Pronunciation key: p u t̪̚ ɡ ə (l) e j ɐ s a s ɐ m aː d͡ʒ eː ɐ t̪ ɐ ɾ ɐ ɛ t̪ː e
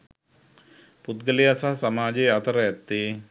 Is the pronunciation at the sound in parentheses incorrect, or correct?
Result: correct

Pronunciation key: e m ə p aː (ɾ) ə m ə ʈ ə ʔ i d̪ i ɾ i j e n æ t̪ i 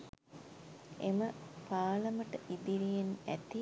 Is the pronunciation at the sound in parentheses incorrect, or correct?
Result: incorrect: l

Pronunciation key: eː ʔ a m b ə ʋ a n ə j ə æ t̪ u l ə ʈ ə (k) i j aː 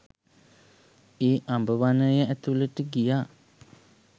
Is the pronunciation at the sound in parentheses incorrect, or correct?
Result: incorrect: ɡ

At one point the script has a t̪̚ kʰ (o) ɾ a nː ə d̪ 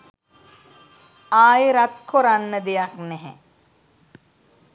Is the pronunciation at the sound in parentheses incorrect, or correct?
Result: correct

